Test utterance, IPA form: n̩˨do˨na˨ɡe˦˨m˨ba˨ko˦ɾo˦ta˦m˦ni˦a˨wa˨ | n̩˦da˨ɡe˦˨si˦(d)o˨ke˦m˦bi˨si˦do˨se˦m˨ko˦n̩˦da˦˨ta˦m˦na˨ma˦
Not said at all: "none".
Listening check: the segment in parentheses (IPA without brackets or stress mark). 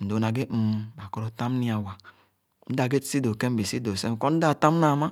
d